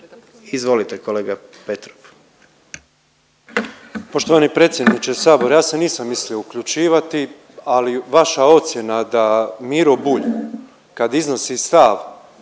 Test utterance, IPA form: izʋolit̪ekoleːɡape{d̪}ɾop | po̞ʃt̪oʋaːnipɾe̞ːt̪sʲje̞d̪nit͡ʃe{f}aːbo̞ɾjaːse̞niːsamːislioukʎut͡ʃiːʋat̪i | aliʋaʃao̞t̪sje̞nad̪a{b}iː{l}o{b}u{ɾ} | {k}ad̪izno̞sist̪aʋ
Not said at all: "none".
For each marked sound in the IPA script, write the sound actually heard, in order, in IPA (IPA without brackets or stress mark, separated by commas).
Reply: t̪, s, m, ɾ, b, ʎ, k